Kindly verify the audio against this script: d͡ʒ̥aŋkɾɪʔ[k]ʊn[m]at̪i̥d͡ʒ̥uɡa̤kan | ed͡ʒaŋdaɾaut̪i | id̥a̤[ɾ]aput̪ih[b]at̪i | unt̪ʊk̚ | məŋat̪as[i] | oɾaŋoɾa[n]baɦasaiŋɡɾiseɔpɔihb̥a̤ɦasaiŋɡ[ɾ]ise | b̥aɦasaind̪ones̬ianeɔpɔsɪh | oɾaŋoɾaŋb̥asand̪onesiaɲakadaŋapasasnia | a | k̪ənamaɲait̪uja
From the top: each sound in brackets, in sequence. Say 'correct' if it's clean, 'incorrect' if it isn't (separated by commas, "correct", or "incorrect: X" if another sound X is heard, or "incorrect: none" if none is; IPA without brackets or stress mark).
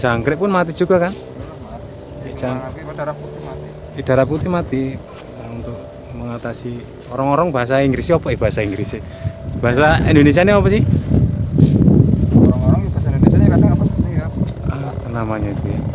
incorrect: p, correct, correct, incorrect: m, correct, incorrect: ŋ, correct